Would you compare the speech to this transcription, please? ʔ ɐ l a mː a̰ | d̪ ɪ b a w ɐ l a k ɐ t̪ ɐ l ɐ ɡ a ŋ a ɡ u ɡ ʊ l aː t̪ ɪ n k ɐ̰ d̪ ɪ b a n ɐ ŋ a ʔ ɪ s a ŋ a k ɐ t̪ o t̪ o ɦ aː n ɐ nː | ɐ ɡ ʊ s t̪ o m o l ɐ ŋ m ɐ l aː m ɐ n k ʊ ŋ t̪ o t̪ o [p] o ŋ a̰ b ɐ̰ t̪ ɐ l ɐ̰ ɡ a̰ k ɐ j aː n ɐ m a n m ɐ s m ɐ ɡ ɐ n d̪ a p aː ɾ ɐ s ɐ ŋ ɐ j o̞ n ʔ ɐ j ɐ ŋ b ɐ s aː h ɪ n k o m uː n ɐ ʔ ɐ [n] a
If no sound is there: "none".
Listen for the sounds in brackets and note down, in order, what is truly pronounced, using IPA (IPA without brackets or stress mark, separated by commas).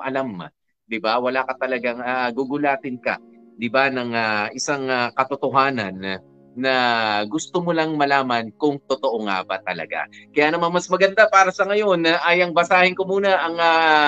ʔ, ŋ